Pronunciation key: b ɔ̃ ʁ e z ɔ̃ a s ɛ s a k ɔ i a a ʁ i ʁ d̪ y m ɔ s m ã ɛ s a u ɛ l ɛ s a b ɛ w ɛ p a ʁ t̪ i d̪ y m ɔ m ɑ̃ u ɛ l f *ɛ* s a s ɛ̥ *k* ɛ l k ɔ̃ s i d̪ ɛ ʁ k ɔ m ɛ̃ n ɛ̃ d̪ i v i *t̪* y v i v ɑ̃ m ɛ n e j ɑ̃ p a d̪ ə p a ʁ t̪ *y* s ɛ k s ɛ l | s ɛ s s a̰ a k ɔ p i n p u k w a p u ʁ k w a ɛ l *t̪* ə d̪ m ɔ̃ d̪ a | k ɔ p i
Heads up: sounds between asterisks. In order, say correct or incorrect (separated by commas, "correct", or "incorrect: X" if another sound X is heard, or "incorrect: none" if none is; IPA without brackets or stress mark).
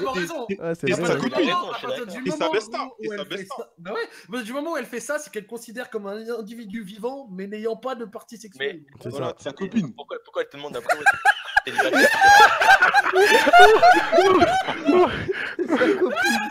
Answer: correct, correct, incorrect: d̪, incorrect: i, correct